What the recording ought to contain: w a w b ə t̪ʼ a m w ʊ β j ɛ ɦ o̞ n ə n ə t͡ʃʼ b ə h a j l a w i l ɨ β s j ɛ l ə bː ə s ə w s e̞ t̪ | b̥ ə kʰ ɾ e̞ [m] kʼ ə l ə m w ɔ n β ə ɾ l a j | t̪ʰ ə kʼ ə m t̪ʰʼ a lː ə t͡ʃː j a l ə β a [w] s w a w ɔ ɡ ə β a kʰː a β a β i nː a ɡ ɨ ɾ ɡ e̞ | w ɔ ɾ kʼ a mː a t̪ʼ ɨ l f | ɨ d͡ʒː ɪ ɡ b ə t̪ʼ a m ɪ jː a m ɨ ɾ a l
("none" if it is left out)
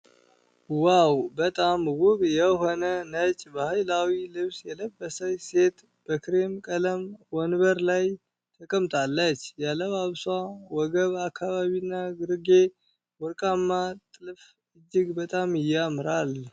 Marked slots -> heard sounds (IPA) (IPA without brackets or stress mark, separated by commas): m, β